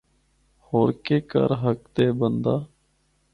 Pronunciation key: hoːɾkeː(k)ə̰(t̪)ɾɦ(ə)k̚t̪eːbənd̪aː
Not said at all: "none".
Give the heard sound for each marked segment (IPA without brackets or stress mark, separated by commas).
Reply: k, none, ə